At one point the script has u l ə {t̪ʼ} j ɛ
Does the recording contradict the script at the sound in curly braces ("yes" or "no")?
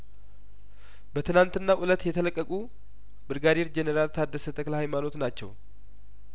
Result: yes